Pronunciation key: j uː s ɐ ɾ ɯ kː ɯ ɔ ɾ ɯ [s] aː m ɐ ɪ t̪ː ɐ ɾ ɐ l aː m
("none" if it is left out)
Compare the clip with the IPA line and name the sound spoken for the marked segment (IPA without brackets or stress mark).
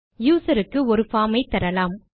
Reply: f